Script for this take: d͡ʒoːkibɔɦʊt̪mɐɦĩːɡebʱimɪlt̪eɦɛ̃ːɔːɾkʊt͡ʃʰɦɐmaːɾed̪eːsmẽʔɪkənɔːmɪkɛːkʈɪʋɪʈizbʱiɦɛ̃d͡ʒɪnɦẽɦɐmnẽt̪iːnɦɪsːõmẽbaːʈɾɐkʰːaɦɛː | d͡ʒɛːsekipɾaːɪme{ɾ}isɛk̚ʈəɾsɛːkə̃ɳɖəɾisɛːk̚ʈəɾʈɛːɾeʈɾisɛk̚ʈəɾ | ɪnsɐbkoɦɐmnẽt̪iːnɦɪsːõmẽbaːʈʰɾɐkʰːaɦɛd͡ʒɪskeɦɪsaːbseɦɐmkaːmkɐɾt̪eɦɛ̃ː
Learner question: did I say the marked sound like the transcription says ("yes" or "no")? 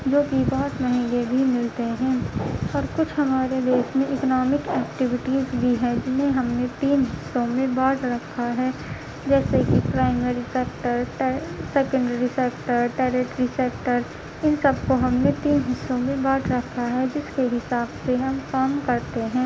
yes